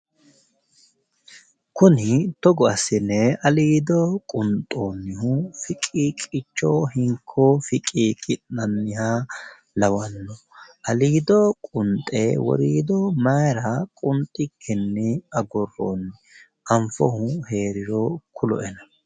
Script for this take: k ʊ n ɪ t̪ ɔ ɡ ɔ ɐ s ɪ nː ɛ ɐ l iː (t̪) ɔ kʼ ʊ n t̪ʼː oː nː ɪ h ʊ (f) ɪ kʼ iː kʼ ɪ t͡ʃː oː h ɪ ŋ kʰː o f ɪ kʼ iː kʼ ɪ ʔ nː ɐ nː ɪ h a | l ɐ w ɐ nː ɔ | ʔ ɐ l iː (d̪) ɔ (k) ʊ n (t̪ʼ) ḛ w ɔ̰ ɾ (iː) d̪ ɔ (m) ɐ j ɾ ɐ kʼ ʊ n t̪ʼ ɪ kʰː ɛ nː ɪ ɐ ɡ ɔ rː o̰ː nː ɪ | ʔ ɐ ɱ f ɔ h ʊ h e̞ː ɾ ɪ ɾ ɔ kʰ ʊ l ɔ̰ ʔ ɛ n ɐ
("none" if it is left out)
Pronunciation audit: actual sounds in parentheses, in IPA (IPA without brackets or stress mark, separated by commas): d̪, f, d̪, kʼ, t̪ʼ, iː, m